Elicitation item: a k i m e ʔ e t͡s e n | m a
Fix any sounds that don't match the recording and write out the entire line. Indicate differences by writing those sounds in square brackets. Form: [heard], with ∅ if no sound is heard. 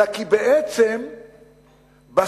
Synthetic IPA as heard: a k i [b] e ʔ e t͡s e [m] | [b] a

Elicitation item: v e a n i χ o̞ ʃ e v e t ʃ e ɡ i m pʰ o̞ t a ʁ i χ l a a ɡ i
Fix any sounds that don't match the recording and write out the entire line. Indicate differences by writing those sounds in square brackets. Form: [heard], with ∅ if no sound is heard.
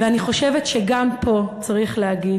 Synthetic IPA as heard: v e a n i χ o̞ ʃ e v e t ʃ e ɡ [a] m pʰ o̞ [t͡s] a ʁ i χ l [e] a ɡ i

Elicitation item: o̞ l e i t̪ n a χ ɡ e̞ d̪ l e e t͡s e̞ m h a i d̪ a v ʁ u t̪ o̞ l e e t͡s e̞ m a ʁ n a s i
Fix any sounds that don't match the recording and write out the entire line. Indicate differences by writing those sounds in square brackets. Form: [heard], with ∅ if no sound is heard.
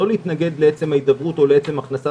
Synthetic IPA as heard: o̞ l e i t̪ n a [∅] ɡ e̞ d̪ l e e t͡s e̞ m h a i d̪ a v ʁ u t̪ o̞ l e e t͡s e̞ m a [χ] n a s [a]

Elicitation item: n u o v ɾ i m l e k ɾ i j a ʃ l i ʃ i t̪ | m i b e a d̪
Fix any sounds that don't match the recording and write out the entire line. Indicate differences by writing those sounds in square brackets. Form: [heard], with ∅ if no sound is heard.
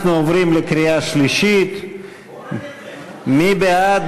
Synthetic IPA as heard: n u o v ɾ i m l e k ɾ i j a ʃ l i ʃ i t̪ | m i b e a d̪

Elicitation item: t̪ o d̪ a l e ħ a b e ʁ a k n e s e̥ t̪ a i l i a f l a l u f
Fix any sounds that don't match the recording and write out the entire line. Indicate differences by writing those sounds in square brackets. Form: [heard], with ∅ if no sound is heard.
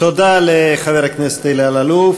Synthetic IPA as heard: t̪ o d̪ a l e [χ] a [v] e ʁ a k n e s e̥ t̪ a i l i a [∅] l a l u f

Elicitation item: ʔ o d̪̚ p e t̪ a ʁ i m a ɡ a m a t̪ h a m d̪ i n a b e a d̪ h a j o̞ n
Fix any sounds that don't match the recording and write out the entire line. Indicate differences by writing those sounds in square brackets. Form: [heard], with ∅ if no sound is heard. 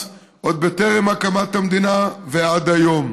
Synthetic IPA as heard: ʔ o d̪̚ [b] e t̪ [e] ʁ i m a [k] a m a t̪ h a m d̪ i n a [v] e a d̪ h a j o̞ [m]

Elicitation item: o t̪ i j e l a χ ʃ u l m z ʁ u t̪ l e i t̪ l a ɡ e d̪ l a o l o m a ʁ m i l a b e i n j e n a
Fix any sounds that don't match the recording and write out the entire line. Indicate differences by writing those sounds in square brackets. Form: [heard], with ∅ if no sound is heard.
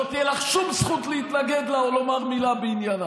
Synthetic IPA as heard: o t̪ i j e l a χ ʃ u [∅] m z [χ] u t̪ l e i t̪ l a ɡ e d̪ l a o l o m a ʁ m i l a b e i n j [a] n a

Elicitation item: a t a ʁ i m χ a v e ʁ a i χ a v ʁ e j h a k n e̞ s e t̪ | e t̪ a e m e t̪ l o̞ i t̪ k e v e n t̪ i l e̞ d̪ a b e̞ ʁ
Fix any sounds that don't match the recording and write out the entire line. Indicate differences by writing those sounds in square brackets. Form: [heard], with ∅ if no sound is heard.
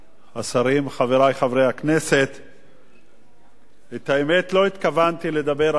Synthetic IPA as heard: a [s] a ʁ i m χ a v e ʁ a [j] χ a v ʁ e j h a k n e̞ s e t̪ | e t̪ a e m e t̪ l o̞ i t̪ k [a] v [a] n t̪ i l e̞ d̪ a b e̞ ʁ

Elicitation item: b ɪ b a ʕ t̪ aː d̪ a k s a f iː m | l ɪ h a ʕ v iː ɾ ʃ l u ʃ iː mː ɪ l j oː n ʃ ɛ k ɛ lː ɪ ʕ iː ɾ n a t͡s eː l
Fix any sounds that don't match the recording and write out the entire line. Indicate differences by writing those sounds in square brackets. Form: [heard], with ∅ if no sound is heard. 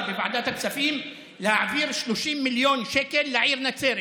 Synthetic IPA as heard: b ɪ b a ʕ [d̪] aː [t̪] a k s a f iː m | l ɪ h a ʕ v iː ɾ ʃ l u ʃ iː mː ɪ l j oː n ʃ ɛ k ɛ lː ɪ ʕ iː ɾ n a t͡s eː [ɾ]

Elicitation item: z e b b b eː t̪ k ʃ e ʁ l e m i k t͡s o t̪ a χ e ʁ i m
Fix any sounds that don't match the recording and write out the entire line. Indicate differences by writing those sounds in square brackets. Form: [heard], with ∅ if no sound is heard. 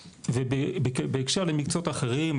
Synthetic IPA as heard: [v] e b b b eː [∅] k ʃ e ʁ l e m i k t͡s o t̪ a χ e ʁ i m

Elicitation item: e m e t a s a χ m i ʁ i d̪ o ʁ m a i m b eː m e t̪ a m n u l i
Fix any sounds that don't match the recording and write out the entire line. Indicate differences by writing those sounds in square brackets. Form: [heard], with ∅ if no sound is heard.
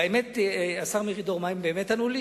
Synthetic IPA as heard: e m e t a s a [ʁ] m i ʁ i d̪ o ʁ m a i m b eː m e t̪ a [∅] n u l i

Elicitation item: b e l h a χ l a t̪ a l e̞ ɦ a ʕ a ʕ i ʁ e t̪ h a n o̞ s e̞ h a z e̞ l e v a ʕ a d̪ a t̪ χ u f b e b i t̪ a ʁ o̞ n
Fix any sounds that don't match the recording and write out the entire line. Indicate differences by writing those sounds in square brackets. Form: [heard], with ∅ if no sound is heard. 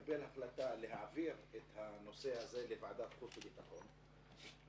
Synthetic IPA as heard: b e l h a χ l a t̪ a l e̞ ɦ a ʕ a [v] i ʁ e t̪ h a n o̞ s e̞ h a z e̞ l e v a ʕ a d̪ a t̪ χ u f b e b i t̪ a [χ] o̞ n

